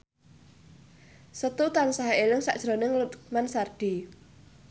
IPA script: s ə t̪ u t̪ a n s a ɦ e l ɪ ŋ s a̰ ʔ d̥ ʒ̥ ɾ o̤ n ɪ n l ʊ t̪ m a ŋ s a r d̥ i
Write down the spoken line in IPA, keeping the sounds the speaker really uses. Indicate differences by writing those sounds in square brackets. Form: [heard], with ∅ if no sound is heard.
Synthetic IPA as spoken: s ə t̪ u t̪ a n s a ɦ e l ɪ ŋ s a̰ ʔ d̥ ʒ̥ ɾ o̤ n ɪ [ŋ] l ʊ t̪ m a [n] s a r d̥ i